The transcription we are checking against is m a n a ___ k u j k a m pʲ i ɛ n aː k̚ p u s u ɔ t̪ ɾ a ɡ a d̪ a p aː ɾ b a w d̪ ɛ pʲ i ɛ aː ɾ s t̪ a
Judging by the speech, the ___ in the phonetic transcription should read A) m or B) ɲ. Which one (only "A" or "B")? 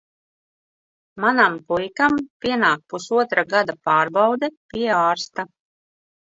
A